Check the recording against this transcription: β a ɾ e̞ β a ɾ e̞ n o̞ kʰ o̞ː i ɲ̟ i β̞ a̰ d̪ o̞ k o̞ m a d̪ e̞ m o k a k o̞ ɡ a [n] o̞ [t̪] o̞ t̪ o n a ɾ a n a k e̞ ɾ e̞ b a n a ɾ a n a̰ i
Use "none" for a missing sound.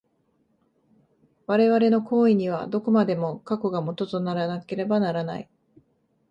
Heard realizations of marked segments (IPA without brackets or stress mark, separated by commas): m, t̪